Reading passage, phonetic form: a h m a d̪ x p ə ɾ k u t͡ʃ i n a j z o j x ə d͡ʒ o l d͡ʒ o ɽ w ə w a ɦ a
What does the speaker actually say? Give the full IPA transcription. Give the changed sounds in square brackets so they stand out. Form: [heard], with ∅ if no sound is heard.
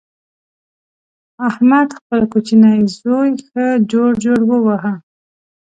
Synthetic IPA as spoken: a h m a d̪ x p ə [l] k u t͡ʃ i n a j z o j x ə d͡ʒ o [ɽ] d͡ʒ o ɽ w ə w a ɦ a